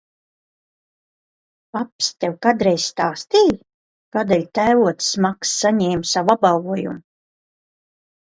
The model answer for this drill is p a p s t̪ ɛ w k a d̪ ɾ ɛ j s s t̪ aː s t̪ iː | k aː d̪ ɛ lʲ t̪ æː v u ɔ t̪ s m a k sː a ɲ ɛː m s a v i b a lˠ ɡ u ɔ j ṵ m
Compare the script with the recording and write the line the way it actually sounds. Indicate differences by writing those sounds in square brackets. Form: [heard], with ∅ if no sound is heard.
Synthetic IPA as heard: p a p s t̪ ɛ w k a d̪ ɾ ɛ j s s t̪ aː s t̪ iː | k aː d̪ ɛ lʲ t̪ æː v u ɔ t̪ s m a k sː a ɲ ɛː m s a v [a] b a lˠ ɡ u ɔ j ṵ m